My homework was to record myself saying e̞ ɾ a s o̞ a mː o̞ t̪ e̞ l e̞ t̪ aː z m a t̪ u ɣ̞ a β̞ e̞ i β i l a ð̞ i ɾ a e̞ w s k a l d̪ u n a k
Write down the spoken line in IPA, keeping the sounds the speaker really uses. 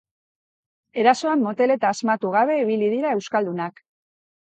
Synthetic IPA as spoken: e̞ ɾ a s o̞ a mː o̞ t̪ e̞ l e̞ t̪ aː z m a t̪ u ɣ̞ a β̞ e̞ i β i l i ð̞ i ɾ a e̞ w s k a l d̪ u n a k